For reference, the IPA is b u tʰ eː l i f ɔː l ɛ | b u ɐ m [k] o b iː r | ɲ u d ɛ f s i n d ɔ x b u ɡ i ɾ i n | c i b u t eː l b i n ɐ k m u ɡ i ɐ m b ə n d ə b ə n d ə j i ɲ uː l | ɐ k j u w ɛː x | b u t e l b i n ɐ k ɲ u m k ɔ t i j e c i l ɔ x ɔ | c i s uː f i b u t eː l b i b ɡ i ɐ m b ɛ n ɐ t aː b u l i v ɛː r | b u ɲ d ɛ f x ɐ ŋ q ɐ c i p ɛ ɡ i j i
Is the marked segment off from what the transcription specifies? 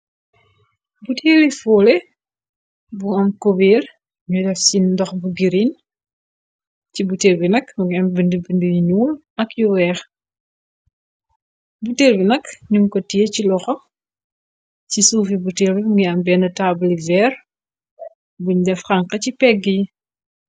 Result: no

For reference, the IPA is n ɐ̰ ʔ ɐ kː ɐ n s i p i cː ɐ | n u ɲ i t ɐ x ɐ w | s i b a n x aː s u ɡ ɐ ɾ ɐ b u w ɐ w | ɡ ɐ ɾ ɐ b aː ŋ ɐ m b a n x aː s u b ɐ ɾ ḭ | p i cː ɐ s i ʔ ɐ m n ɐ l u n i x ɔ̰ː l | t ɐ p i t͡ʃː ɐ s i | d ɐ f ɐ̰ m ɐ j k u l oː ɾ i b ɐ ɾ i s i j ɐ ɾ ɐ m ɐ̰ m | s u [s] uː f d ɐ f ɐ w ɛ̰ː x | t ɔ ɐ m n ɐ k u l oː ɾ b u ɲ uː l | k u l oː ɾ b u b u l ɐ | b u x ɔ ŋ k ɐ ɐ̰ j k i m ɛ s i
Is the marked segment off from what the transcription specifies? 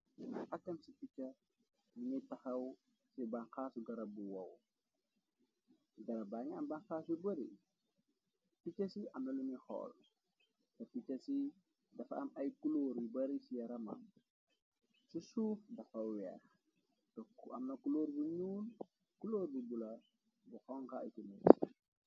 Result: no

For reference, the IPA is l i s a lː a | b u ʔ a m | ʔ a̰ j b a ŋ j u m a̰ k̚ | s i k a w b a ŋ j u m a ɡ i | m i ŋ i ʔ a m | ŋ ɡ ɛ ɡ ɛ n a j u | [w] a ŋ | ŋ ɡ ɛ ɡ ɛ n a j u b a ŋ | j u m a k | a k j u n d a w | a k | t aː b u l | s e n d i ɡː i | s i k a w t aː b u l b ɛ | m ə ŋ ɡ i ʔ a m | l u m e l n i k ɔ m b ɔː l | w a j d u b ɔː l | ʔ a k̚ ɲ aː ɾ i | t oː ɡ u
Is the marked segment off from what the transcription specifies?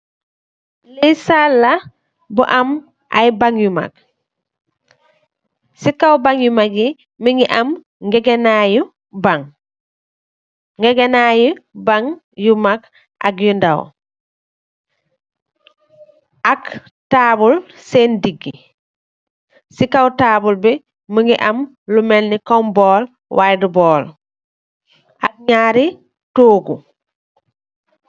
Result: yes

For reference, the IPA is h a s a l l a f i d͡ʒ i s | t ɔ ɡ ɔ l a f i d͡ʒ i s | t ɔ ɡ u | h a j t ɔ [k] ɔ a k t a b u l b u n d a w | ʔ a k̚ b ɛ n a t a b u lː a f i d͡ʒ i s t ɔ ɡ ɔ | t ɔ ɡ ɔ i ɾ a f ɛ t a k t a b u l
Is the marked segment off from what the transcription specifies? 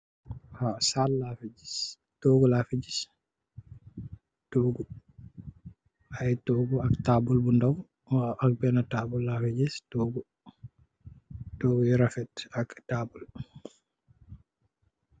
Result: yes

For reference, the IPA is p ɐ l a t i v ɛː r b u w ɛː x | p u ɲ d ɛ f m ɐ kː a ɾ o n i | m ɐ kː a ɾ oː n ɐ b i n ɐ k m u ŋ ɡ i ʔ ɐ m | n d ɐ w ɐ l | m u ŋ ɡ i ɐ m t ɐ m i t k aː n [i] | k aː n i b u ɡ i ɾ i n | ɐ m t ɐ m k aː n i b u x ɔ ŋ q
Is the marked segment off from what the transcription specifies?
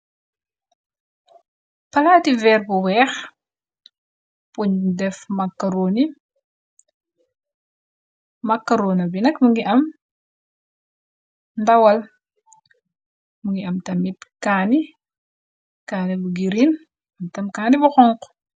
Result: no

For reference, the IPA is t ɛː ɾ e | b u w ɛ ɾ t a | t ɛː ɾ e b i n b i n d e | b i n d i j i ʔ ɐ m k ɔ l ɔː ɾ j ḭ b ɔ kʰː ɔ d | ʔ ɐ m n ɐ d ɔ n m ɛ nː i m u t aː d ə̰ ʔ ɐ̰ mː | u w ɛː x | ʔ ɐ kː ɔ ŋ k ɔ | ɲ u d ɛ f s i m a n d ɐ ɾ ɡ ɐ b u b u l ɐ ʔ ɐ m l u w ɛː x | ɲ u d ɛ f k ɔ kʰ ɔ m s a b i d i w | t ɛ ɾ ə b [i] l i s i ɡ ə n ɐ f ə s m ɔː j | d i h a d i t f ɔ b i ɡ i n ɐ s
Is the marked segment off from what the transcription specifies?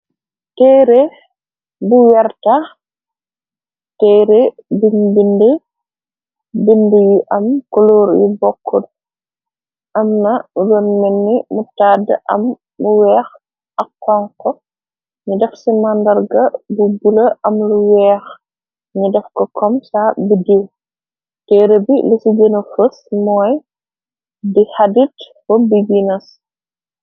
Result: no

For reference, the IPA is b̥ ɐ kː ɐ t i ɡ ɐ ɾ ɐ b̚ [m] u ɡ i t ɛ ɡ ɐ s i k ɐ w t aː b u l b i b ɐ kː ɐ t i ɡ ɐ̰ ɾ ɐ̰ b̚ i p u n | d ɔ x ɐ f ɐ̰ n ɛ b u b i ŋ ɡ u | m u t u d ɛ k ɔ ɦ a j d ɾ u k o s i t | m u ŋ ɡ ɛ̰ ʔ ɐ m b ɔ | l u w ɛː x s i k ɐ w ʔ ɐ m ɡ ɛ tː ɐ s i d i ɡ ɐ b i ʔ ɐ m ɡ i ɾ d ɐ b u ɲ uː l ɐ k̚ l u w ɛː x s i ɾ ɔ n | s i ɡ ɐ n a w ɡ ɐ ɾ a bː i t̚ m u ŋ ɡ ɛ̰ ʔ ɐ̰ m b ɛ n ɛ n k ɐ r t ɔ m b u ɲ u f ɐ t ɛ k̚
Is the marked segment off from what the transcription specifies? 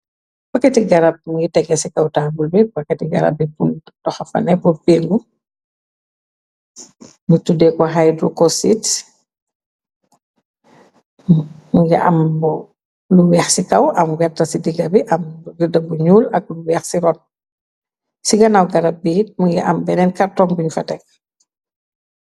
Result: no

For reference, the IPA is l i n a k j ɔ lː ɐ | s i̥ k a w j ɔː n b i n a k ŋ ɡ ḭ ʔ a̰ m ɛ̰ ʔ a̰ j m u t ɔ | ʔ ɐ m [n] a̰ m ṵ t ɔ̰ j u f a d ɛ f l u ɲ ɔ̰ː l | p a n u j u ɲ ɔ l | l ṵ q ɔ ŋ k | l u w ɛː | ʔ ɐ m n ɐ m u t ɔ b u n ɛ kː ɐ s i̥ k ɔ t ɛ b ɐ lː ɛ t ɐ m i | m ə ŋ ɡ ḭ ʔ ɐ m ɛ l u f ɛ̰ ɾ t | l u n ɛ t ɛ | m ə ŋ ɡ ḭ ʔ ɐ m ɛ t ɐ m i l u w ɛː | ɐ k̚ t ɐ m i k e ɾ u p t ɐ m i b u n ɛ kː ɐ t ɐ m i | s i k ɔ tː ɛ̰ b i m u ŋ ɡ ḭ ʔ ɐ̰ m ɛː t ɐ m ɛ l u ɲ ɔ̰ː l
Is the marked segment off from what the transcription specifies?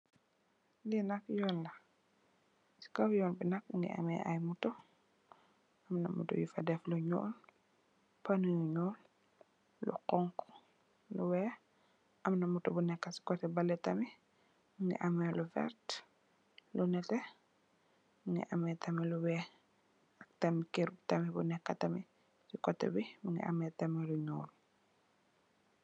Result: no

